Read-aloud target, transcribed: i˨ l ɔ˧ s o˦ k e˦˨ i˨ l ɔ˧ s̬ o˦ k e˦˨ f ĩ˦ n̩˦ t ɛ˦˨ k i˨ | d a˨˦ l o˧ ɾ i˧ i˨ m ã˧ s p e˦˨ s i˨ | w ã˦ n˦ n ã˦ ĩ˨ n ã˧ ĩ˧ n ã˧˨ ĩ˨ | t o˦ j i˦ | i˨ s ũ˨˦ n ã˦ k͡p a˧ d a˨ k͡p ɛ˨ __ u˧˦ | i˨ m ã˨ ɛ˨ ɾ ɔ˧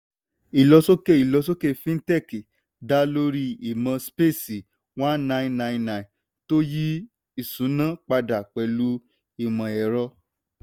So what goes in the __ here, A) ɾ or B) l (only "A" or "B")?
B